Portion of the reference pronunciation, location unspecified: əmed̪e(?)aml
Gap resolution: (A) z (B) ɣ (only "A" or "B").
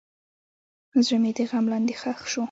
B